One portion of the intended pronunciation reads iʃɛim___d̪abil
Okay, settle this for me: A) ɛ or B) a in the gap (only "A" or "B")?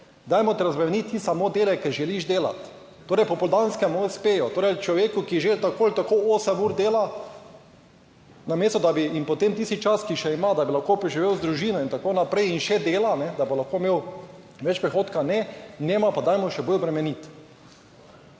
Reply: B